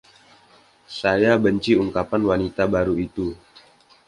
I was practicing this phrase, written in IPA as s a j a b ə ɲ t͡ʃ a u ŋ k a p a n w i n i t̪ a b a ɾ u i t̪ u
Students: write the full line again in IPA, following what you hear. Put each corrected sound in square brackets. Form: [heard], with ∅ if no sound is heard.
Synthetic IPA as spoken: s a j a b ə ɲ t͡ʃ [i] u ŋ k a p a n w [a] n i t̪ a b a ɾ u i t̪ u